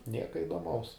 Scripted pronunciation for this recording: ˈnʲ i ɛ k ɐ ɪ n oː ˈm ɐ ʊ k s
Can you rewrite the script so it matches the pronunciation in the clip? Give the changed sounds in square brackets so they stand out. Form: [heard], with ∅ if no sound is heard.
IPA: ˈnʲ i ɛ k ɐ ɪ [d] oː ˈm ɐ ʊ [∅] s